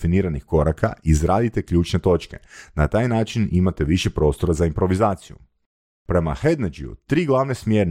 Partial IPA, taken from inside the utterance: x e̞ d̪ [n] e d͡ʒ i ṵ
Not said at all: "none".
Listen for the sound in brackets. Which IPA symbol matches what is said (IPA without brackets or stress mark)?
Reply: n